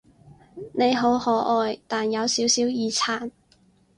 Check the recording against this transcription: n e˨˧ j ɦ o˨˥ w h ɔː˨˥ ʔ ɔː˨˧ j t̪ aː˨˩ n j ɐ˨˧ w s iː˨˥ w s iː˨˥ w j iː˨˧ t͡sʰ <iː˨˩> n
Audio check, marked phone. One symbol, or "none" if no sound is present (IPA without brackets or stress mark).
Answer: aː˨˩